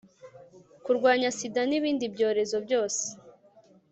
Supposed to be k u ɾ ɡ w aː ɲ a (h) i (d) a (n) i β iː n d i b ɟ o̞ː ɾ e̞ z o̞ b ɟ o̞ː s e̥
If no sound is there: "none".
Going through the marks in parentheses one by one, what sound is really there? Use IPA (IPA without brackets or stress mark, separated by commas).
s, d, n